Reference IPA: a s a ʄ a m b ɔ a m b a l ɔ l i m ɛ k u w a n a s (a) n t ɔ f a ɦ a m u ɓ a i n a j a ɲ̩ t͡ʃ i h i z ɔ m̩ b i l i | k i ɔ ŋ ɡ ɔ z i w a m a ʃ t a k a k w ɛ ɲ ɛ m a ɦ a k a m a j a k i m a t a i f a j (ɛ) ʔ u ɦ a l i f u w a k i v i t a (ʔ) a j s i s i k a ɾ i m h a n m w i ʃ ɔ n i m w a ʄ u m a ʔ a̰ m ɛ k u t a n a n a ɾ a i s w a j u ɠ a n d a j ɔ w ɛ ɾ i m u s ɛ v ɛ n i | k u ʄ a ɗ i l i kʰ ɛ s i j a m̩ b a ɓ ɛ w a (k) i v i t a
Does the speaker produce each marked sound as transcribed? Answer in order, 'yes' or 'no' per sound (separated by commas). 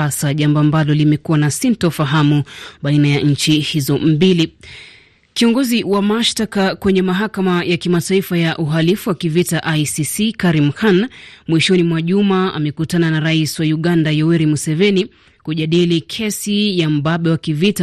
no, no, yes, yes